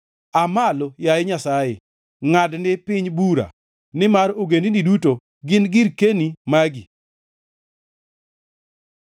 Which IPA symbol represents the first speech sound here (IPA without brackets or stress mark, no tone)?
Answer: a